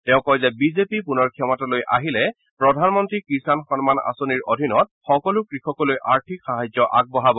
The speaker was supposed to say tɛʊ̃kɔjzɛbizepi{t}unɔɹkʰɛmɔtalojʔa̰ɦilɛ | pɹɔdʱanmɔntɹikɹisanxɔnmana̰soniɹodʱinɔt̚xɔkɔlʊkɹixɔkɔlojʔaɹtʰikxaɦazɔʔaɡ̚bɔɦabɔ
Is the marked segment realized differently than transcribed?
yes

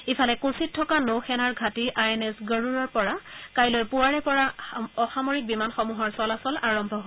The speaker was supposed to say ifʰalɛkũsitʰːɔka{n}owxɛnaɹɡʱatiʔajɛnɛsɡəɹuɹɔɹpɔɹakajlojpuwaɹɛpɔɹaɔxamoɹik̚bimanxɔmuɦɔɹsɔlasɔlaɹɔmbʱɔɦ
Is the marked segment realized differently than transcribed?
no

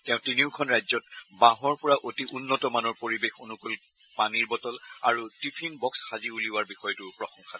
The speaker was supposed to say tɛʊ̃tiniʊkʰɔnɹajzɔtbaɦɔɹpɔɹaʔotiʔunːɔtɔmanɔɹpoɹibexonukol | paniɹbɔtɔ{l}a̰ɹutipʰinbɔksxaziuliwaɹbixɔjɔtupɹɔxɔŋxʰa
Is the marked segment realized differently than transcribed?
no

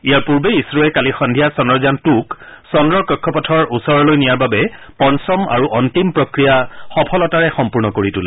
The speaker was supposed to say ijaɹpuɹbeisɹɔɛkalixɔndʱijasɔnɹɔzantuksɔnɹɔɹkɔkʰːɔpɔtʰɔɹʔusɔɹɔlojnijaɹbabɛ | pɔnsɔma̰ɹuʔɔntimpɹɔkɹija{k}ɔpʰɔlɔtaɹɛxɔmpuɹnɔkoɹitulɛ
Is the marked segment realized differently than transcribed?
yes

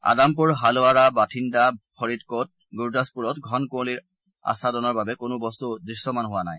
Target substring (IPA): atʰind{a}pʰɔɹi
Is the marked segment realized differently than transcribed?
no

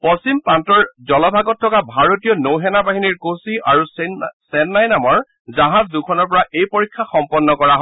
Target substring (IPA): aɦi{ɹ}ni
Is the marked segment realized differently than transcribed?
yes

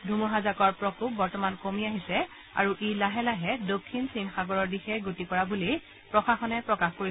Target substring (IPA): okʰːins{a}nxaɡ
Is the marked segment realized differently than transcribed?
yes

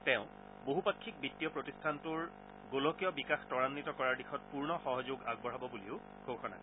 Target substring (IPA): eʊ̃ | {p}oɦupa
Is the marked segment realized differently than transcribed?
yes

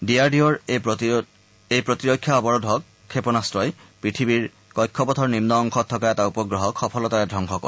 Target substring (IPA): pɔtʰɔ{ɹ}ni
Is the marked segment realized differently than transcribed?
no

